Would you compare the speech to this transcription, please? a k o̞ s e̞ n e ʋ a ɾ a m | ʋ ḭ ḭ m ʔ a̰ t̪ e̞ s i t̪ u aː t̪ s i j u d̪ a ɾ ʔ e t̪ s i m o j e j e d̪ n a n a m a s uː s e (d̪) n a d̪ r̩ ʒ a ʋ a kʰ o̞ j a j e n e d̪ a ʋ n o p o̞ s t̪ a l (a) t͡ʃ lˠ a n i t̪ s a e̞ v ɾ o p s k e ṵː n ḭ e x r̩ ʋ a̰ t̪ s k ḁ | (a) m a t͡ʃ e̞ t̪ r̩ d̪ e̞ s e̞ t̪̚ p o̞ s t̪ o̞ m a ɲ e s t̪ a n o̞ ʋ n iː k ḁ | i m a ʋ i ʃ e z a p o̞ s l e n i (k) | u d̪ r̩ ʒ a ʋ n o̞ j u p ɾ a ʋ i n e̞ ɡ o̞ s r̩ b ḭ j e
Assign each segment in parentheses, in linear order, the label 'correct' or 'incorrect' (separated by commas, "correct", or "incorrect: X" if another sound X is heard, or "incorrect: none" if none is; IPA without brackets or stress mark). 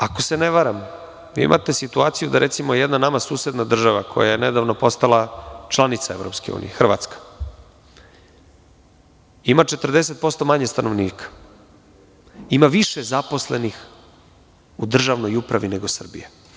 correct, correct, incorrect: i, incorrect: x